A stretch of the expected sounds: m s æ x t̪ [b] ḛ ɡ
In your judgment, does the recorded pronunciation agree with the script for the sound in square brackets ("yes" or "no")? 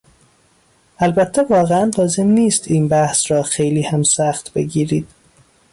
yes